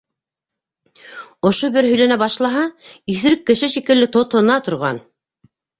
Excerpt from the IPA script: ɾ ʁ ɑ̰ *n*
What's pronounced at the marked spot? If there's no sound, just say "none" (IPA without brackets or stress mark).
n